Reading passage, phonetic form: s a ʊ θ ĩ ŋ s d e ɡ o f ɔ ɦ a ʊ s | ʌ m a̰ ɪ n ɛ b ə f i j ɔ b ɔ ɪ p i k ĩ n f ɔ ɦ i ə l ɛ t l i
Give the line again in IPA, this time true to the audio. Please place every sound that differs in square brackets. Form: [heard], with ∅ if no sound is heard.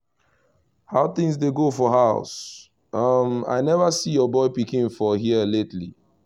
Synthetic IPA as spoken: [h] a ʊ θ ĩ ŋ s d e ɡ o f ɔ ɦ a ʊ s | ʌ m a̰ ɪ n ɛ [v] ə [s] i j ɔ b ɔ ɪ p i k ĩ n f ɔ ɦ i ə l [e] t l i

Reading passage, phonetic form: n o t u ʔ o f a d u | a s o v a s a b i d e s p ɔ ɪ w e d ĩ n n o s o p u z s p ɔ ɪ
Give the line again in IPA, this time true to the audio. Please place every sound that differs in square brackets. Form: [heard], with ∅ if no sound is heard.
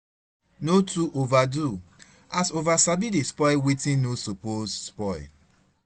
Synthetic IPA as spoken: n o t u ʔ o [v] a d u | a s o v a s a b i d e s p ɔ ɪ w e [t] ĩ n n o s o p [o] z s p ɔ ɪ

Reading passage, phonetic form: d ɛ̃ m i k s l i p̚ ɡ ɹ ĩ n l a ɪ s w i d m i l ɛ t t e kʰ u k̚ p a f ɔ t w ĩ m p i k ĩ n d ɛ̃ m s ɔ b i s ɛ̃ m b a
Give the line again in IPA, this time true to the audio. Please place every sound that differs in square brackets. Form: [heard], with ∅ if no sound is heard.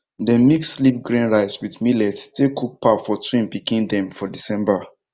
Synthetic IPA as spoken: d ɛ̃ m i k s l i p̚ ɡ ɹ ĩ n [ɹ] a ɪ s w i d m i l ɛ t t e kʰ u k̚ p a f ɔ t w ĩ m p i k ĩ n d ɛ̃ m [f] ɔ [d] i s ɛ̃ m b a

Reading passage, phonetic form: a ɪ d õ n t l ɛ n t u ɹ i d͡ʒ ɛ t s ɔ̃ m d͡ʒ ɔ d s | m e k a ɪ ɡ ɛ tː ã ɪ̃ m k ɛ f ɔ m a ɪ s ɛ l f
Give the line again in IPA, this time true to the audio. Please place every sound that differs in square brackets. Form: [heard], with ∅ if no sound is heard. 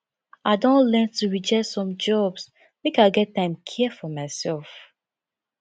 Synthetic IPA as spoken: a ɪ d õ n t l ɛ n t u ɹ i d͡ʒ ɛ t s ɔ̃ m d͡ʒ ɔ [b] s | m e k a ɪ ɡ ɛ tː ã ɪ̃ m [kʰ] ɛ f ɔ m a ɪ s ɛ l f

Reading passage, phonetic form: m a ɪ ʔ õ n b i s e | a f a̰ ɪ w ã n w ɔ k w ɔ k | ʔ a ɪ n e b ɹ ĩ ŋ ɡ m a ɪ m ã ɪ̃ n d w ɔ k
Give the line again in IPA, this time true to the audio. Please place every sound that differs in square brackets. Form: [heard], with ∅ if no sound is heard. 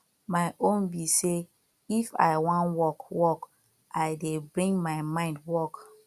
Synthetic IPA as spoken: m a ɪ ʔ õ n b i s e | [i] f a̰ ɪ w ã n w ɔ k w ɔ k | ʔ a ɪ [d] e b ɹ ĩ ŋ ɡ m a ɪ m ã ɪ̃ n d w ɔ k

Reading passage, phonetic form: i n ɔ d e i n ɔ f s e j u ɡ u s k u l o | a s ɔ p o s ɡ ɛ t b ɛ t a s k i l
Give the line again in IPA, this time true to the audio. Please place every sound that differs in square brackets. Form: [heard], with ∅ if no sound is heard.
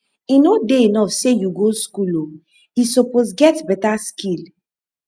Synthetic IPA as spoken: i n [o] d e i n ɔ f s e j u ɡ [o] s k u l o | [i] s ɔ p o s ɡ ɛ t b ɛ t a s k i l

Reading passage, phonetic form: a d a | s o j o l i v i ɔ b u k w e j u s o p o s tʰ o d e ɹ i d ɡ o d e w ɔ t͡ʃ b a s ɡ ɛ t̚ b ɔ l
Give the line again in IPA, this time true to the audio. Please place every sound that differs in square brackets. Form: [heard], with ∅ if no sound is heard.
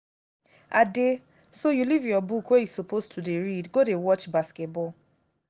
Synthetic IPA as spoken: a d [e] | s o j [u] l i v [j] ɔ b u k w e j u s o p o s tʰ [u] d e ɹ i d ɡ o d e w ɔ t͡ʃ b a s [k] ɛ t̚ b ɔ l

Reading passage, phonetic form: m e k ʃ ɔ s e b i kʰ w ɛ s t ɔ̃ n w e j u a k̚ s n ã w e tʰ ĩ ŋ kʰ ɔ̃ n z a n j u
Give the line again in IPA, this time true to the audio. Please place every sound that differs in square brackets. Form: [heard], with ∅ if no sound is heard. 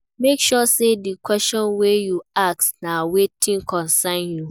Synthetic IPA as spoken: m e k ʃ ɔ s e [d] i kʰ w ɛ s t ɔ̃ n w e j u a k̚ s n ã w e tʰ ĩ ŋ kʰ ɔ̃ n [s] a n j u

